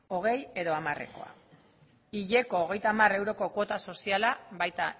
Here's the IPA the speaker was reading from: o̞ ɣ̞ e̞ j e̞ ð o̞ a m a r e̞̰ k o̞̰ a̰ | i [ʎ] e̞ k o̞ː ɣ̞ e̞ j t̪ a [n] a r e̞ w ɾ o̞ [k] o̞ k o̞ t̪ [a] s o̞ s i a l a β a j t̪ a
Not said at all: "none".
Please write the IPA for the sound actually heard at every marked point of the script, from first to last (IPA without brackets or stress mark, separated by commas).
ʎ, m, k, a